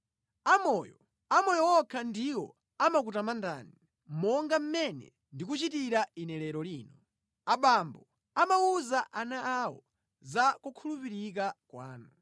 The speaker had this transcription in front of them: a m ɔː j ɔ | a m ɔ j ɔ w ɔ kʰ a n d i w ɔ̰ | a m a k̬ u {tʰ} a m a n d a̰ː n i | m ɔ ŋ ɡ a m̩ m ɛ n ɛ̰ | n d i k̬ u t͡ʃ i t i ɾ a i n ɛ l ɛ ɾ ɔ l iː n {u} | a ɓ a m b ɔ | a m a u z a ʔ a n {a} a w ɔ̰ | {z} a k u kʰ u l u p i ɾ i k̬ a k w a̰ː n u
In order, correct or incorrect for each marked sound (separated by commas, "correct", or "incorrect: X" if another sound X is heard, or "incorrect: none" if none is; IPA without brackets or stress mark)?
incorrect: t, incorrect: ɔ, correct, correct